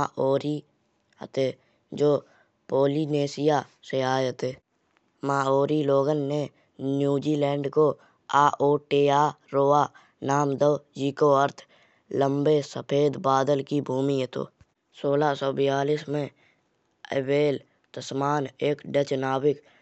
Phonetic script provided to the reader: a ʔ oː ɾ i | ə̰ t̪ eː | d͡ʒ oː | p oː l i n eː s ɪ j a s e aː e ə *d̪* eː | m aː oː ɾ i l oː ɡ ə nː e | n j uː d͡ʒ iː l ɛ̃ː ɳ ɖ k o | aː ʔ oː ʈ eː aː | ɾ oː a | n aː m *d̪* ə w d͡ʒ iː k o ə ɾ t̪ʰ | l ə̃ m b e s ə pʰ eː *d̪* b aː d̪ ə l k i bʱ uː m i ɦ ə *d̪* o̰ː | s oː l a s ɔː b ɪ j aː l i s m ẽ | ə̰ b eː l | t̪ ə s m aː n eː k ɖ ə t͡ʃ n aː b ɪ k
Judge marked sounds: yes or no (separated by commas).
no, yes, yes, no